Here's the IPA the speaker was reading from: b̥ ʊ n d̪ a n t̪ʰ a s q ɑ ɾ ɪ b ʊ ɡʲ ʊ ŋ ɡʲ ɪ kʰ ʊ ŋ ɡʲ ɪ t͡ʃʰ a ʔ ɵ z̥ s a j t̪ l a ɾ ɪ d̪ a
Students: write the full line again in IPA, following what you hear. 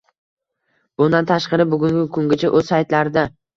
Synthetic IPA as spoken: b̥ ʊ n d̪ a n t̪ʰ a ʃ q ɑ ɾ ɪ b ʊ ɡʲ ʊ ŋ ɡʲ ɪ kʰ ʊ ŋ ɡʲ ɪ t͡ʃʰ a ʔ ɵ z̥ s a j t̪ l a ɾ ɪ d̪ a